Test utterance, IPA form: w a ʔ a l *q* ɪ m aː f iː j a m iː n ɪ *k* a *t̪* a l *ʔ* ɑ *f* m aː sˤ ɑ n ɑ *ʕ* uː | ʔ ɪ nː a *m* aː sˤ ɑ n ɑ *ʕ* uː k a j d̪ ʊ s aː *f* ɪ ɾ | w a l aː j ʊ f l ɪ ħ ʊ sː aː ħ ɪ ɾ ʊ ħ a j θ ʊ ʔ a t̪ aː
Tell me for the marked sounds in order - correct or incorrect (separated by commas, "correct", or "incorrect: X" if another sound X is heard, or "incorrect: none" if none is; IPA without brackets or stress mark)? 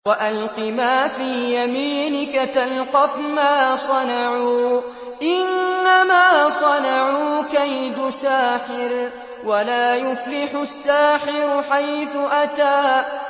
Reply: correct, correct, correct, incorrect: q, correct, correct, correct, correct, incorrect: ħ